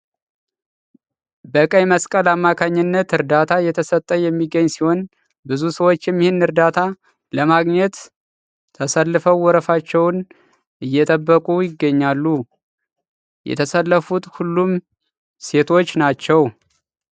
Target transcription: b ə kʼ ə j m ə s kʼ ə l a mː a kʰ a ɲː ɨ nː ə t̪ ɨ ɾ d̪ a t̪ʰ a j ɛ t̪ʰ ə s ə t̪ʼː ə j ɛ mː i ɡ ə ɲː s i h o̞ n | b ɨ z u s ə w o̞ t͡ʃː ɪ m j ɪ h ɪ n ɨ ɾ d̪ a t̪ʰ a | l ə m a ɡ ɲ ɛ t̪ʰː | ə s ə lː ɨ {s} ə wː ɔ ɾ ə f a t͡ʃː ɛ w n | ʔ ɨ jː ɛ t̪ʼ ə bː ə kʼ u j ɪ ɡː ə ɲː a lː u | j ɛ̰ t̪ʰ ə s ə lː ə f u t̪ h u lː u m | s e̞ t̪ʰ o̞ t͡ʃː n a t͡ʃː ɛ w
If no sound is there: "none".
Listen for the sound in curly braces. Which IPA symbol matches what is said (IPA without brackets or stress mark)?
f